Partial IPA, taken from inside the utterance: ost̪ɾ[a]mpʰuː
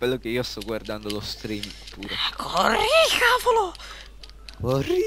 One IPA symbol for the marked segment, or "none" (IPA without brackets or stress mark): i